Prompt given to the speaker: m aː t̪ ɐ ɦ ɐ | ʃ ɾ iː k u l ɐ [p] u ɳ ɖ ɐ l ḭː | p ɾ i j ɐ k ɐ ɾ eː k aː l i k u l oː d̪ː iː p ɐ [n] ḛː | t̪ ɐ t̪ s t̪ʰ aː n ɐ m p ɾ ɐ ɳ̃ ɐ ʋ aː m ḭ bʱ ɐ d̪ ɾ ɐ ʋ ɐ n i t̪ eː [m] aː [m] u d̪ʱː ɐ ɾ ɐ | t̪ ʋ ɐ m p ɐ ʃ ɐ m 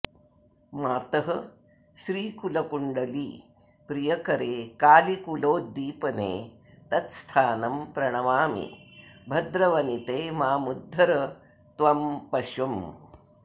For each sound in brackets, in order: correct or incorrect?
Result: incorrect: k, correct, correct, correct

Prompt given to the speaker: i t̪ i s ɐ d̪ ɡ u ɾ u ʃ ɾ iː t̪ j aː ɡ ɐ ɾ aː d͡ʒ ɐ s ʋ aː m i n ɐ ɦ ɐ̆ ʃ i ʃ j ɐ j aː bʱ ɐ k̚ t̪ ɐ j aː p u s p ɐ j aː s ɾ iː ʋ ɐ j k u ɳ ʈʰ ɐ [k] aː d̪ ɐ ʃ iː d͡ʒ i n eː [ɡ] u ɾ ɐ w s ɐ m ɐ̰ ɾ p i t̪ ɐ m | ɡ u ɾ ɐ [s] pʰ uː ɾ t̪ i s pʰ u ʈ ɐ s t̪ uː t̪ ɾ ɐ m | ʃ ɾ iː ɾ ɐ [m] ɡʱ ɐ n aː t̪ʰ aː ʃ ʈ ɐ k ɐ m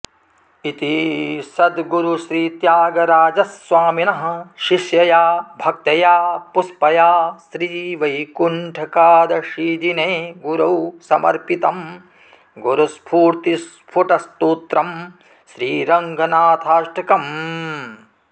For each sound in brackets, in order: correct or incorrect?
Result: correct, correct, correct, incorrect: ŋ

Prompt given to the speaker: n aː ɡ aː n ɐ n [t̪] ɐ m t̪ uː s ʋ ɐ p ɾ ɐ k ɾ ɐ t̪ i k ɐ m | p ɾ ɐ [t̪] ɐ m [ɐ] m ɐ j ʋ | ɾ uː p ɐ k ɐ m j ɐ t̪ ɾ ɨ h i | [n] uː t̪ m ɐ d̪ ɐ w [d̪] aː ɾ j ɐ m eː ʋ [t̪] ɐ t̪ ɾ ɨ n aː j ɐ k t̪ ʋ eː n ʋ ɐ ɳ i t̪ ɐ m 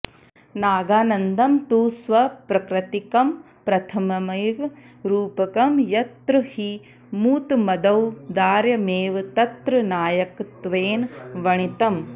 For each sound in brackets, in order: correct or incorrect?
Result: incorrect: d̪, incorrect: t̪ʰ, correct, incorrect: m, correct, correct

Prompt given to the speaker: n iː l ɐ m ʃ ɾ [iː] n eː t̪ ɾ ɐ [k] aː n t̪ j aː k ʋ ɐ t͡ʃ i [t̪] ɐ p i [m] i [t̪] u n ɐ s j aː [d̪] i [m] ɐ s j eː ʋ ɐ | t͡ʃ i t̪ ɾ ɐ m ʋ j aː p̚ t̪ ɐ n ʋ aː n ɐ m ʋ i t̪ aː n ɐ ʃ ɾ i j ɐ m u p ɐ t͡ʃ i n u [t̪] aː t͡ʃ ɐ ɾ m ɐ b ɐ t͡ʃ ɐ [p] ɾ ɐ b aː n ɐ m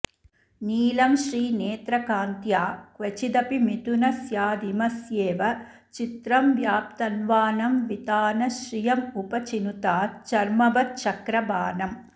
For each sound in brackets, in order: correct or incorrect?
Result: correct, correct, incorrect: d̪, correct, correct, correct, correct, correct, incorrect: k

